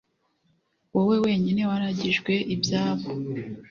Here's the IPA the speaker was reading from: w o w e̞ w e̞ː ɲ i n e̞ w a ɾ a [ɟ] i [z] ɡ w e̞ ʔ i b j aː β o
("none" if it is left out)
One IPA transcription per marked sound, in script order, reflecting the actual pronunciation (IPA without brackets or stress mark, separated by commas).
ɟ, ʒ